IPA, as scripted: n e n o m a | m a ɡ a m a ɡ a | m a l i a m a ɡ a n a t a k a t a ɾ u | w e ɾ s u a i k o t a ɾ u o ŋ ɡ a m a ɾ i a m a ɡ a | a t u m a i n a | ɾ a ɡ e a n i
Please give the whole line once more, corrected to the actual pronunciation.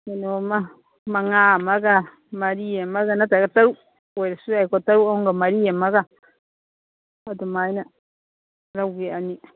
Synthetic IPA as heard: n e n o m a | m a ŋ a m a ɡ a | m a ɾ i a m a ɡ a n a t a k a t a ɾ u | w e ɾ s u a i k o t a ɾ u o ŋ ɡ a m a ɾ i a m a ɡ a | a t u m a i n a | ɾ a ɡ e a n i